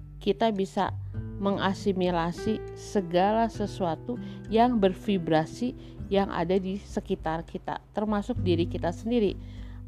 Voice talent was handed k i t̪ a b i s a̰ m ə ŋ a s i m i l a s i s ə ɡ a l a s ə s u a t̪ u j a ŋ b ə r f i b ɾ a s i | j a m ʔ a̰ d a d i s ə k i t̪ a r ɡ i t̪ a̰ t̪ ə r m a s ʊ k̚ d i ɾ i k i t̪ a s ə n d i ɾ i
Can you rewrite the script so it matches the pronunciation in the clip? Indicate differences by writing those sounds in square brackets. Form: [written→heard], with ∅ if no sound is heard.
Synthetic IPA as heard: k i t̪ a b i s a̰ m ə ŋ a s i m i l a s i s ə ɡ a l a s ə s u a t̪ u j a ŋ b ə r f i b ɾ a s i | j a [m→ŋ] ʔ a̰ d a d i s ə k i t̪ a r [ɡ→k] i t̪ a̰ t̪ ə r m a s ʊ k̚ d i ɾ i k i t̪ a s ə n d i ɾ i